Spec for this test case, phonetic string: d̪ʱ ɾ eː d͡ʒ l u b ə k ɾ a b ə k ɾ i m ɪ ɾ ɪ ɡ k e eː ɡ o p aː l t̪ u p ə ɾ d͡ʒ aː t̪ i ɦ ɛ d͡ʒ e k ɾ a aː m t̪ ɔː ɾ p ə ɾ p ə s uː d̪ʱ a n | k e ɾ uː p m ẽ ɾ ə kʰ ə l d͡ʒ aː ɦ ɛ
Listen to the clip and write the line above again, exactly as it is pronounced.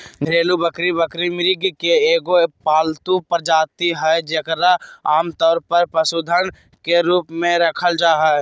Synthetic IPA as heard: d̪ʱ ɾ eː l u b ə k ɾ i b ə k ɾ i m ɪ ɾ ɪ ɡ k e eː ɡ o p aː l t̪ u p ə ɾ d͡ʒ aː t̪ i ɦ ɛ d͡ʒ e k ɾ a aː m t̪ ɔː ɾ p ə ɾ p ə s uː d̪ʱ ə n | k e ɾ uː p m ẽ ɾ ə kʰ ə l d͡ʒ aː ɦ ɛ